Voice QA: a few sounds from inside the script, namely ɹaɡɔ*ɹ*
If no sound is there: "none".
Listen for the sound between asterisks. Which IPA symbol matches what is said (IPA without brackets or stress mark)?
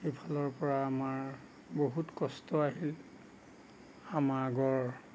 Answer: ɹ